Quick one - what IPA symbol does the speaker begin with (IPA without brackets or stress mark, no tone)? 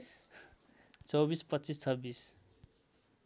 t͡s